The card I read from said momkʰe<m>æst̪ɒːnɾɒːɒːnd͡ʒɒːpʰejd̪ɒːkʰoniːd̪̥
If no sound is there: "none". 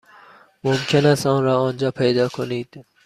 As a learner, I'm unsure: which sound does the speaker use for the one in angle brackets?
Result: n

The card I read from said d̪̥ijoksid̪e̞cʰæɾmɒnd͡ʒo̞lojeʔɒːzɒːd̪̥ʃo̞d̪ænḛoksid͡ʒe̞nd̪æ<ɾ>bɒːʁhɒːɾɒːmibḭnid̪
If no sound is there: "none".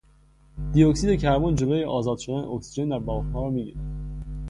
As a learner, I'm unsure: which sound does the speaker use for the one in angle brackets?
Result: ɾ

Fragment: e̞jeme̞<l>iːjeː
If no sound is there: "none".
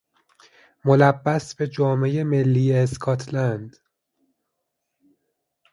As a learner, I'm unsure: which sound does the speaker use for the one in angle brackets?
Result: lː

